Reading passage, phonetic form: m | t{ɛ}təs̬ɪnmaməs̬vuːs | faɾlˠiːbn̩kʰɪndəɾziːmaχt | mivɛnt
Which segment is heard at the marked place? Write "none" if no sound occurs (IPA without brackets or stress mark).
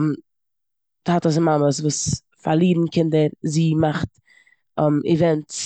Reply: a